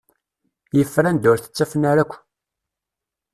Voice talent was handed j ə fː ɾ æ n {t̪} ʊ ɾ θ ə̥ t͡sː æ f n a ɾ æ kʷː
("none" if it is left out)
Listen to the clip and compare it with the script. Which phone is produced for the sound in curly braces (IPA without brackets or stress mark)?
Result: d̪